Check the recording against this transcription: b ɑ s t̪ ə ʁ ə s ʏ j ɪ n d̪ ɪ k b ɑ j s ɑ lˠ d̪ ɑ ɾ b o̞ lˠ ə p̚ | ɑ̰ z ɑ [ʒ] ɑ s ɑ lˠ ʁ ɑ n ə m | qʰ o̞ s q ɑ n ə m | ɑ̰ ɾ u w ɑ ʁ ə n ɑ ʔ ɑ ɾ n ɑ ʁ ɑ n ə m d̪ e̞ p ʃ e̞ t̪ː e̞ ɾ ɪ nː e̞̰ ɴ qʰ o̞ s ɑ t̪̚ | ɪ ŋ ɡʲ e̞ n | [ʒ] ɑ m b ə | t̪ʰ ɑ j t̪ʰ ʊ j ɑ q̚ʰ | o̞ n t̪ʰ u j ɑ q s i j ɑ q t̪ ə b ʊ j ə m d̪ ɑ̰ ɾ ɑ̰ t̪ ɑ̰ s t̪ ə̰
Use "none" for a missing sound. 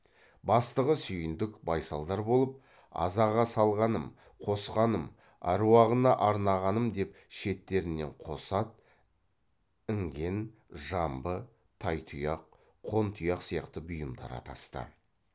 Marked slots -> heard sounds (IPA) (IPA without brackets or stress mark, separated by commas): ʁ, ʒ